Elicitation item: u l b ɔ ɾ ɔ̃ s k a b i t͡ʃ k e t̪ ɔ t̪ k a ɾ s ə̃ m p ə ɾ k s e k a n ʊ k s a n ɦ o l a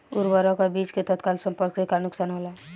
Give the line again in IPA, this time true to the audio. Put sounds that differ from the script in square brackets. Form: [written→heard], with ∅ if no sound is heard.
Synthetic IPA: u [l→ɾ] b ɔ ɾ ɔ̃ [s→∅] k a b i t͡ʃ k e t̪ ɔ t̪ k a [ɾ→l] s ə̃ m p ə ɾ k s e k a n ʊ k s a n ɦ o l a